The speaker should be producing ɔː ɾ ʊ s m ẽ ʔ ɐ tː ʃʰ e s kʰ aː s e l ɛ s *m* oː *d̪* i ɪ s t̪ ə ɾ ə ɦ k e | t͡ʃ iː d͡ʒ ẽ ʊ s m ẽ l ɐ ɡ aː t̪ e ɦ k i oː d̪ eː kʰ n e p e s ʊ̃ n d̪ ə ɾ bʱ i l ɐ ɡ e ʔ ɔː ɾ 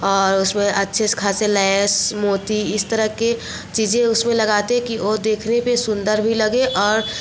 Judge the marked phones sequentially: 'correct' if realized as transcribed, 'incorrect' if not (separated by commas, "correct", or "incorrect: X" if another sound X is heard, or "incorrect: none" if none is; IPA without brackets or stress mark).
correct, incorrect: t̪